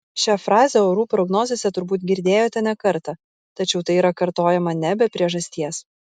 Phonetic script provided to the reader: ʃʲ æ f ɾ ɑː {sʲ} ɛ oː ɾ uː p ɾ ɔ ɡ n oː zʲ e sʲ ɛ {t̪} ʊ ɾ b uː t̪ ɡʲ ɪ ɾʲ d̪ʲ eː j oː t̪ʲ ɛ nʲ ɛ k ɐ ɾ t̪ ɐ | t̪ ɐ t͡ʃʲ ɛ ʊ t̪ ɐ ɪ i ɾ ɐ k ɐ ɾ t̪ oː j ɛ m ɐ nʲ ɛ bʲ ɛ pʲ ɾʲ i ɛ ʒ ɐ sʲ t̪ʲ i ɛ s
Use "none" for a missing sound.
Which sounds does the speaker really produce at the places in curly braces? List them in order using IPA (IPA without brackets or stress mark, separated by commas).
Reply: zʲ, t̪